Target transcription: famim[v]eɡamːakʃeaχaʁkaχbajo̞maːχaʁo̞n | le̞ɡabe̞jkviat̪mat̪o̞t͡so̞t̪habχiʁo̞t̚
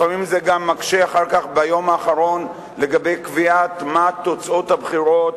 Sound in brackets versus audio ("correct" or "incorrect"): incorrect